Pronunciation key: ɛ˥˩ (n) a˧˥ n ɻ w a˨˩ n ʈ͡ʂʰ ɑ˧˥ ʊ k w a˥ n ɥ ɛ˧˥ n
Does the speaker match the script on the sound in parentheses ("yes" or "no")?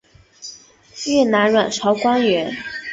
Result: yes